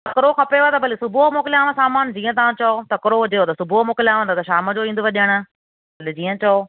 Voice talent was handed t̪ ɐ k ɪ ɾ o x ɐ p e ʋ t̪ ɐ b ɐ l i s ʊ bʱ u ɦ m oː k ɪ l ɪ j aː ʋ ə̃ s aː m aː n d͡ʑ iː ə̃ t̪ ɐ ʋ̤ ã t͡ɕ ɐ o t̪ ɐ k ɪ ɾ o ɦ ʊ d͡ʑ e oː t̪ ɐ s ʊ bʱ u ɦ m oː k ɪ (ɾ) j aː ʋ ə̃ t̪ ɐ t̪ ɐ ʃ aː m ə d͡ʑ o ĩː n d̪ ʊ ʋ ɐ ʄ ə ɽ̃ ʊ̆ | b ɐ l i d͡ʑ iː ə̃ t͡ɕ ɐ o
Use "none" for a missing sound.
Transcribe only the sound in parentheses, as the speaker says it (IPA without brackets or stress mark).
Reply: l